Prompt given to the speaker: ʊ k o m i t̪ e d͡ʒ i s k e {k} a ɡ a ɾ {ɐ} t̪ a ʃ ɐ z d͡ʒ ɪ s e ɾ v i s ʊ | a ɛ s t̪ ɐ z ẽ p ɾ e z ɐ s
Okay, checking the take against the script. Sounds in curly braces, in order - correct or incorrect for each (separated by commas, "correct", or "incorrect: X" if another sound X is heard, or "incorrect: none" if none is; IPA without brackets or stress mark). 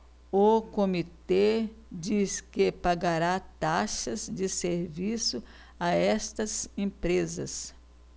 incorrect: p, incorrect: a